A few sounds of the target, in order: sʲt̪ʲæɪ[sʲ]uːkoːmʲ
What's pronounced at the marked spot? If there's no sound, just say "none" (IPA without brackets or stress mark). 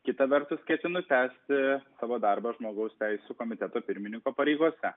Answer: sʲ